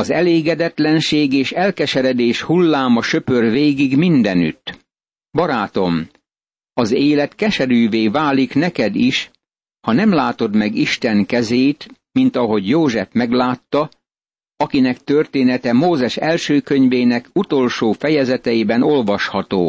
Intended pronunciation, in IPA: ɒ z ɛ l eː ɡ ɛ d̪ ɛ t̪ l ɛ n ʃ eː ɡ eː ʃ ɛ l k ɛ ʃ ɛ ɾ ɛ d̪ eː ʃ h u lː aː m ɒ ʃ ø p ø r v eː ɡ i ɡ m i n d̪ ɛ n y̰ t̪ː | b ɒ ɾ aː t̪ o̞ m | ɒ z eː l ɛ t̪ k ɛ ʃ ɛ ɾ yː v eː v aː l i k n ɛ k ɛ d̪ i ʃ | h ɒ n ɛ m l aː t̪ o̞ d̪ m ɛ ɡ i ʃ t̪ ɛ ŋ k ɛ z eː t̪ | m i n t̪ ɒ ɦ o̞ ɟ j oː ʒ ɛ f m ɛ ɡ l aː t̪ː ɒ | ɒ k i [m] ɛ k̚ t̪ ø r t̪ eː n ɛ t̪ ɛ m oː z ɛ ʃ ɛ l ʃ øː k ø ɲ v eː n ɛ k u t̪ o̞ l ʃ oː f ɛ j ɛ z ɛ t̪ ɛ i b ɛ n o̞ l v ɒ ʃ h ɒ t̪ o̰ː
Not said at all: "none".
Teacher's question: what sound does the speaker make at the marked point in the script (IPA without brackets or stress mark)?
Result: n